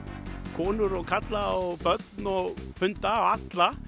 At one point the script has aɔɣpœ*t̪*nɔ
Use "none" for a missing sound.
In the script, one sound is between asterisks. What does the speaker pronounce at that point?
t̪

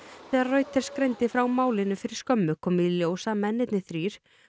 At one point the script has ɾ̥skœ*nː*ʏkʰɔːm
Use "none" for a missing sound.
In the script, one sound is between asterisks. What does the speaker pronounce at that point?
mː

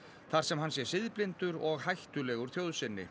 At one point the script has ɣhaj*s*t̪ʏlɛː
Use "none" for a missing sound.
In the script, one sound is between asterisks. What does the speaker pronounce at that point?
h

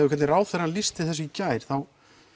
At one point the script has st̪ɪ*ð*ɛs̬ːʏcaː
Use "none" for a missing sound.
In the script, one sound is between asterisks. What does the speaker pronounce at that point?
θ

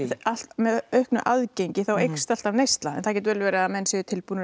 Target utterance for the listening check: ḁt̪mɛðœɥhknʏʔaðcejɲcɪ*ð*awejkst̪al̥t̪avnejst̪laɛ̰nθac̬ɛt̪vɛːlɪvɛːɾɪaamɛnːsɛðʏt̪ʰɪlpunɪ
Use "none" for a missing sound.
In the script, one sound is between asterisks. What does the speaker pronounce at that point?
θ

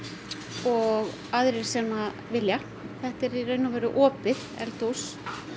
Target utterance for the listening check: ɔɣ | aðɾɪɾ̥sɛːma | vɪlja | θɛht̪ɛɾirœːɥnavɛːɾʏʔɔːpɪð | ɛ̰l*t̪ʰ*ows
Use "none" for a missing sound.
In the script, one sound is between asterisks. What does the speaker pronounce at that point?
t̪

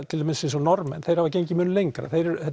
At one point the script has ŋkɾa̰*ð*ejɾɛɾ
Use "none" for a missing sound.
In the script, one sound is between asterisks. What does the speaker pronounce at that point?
θ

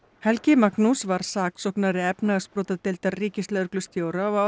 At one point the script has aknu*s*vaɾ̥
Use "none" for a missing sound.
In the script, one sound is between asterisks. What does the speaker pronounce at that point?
s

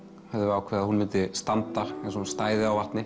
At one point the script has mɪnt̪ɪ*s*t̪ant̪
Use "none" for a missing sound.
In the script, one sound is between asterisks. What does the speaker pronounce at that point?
s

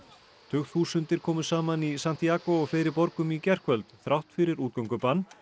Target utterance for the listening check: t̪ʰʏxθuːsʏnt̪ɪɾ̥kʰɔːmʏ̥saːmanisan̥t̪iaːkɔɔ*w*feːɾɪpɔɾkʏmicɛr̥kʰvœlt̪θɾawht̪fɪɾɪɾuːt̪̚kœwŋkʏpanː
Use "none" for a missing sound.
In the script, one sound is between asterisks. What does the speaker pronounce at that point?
ɣ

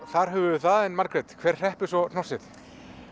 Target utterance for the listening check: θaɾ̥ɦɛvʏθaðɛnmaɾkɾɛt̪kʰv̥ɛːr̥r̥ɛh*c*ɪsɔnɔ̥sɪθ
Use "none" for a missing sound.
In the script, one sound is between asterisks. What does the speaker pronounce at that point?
p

